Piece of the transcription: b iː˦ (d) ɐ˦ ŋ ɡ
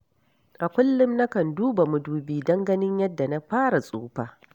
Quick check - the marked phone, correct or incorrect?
correct